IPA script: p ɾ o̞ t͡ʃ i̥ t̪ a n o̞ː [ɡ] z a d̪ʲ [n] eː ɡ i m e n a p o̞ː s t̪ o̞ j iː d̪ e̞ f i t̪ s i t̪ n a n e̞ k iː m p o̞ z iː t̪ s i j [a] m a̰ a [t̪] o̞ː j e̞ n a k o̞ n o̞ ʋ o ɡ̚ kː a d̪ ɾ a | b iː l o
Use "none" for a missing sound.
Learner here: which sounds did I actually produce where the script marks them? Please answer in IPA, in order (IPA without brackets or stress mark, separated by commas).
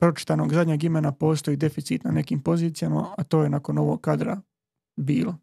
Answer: ɡ, ɲ, a, t̪